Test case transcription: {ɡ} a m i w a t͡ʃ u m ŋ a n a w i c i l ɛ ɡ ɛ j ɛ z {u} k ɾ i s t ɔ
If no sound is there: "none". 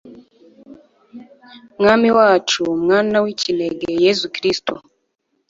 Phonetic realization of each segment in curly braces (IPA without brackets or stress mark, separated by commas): ŋ, u